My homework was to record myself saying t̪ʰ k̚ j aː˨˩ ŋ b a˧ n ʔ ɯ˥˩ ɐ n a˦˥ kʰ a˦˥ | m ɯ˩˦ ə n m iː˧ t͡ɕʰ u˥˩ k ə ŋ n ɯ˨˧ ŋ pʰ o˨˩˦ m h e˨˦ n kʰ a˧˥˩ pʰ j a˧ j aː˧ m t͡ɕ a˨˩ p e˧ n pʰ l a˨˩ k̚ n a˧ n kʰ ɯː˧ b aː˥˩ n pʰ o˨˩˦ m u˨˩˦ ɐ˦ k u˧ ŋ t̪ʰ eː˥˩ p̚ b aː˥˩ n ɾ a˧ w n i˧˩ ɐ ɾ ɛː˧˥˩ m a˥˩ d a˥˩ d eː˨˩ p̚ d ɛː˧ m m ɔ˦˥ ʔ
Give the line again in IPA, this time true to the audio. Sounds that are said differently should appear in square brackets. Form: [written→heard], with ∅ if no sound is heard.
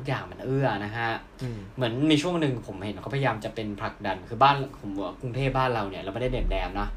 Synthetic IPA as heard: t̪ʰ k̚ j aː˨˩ ŋ [b→m] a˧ n ʔ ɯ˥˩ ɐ n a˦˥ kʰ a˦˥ | m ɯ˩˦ ə n m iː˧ t͡ɕʰ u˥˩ [k→∅] ə ŋ n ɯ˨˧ ŋ pʰ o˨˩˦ m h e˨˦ n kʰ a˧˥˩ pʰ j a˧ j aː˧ m t͡ɕ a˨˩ p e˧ n pʰ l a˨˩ k̚ [n→d] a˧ n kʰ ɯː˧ b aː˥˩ n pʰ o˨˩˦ m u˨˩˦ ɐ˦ k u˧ ŋ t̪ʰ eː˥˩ p̚ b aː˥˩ n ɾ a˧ w n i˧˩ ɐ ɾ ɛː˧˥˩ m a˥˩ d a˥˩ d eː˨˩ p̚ d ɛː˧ m [m→n] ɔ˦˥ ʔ